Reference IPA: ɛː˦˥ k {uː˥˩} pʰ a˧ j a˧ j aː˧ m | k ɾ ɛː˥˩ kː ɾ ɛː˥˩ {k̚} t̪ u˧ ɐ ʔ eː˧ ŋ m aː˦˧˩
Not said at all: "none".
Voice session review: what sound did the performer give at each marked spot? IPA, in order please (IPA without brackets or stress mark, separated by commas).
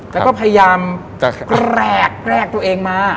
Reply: ɔː˥˩, k̚